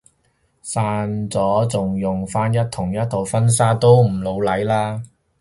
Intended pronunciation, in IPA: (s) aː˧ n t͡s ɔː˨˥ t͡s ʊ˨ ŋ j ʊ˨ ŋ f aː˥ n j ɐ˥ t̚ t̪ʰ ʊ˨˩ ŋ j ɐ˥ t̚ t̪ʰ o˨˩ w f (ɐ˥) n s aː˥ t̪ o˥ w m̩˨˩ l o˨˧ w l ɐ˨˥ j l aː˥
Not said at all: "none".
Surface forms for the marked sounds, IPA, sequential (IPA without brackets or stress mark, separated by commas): s, ɐ˥